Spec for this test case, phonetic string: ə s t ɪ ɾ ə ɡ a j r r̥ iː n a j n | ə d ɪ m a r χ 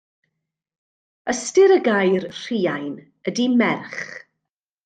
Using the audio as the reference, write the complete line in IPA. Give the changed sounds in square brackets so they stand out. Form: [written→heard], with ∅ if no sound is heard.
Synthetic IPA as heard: ə s t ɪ ɾ ə ɡ a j r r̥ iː [n→∅] a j n | ə d [ɪ→i] m [a→ɛ] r χ